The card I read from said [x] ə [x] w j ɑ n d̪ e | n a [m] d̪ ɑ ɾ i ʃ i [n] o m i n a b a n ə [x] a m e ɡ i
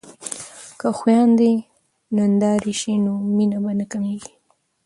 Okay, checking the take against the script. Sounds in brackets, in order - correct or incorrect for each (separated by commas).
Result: incorrect, correct, incorrect, correct, incorrect